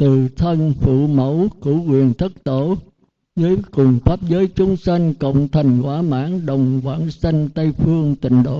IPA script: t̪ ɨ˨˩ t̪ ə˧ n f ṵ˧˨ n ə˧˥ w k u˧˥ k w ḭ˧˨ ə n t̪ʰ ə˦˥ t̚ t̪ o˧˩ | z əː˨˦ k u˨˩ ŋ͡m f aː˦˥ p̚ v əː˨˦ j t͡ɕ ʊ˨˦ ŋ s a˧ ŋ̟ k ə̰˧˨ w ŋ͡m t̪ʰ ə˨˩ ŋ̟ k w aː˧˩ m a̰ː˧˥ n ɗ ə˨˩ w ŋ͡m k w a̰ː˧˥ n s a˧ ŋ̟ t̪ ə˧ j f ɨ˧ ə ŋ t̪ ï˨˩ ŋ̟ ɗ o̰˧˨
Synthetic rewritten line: t̪ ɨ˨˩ t̪ʰ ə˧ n f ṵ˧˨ m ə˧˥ w k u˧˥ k w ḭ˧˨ ə n t̪ʰ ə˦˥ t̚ t̪ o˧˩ | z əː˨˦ k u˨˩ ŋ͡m f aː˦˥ p̚ z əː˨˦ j t͡ɕ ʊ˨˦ ŋ͡m s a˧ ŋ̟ k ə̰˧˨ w ŋ͡m t̪ʰ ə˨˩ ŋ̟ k w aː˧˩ m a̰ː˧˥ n ɗ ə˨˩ w ŋ͡m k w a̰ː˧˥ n s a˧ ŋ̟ t̪ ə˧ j f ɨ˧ ə ŋ t̪ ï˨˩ ŋ̟ ɗ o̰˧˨